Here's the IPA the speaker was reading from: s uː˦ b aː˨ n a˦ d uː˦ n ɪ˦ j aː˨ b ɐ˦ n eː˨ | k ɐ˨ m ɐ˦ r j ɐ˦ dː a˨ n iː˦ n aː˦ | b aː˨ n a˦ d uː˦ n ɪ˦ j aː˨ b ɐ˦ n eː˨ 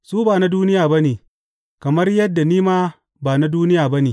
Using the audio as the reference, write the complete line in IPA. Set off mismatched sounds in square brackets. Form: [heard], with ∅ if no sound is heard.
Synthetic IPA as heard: s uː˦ b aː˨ n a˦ d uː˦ n ɪ˦ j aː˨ b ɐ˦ n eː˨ | k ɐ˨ m ɐ˦ r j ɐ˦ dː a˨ n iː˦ [m] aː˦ | b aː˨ n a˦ d uː˦ n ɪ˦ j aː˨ b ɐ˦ n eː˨